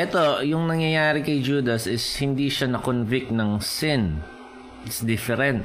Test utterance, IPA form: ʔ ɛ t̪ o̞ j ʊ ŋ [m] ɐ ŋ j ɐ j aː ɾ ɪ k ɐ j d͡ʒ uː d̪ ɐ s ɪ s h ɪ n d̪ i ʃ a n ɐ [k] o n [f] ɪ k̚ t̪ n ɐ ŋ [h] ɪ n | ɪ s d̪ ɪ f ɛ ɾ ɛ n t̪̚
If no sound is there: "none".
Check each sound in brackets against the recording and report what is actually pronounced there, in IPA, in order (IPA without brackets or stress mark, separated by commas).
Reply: n, k, v, s